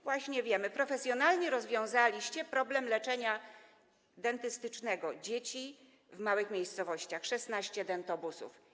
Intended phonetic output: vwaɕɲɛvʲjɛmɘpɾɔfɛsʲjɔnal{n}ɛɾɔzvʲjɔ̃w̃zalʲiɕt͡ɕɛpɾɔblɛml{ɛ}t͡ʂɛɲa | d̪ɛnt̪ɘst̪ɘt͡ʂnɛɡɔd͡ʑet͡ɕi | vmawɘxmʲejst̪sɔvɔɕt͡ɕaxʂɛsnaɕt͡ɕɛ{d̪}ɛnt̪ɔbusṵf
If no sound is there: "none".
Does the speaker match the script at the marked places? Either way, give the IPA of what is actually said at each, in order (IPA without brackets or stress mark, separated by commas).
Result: ɲ, ɛ, d̪